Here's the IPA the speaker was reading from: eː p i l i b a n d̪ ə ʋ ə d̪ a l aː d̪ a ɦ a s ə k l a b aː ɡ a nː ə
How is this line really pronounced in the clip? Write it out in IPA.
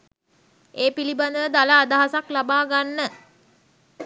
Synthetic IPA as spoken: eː p i l i b a n d̪ ə ʋ ə d̪ a l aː d̪ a ɦ a s a k l a b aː ɡ a nː ə